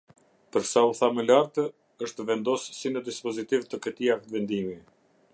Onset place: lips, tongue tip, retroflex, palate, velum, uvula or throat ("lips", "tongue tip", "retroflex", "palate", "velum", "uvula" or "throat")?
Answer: lips